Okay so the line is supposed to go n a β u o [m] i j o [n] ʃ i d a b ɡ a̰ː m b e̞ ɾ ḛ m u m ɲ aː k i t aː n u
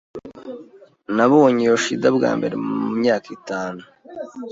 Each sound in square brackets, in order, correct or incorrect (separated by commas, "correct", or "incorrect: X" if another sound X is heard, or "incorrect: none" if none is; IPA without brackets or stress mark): incorrect: ɲ, incorrect: none